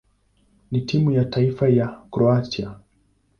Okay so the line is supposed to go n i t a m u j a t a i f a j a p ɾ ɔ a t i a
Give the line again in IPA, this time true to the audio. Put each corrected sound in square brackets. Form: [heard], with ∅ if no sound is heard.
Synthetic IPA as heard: n i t [i] m u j a t a i f a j a [k] ɾ ɔ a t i a